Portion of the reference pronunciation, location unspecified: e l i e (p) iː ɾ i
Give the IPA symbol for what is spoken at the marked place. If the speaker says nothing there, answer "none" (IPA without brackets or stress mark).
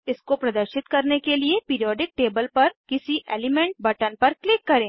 p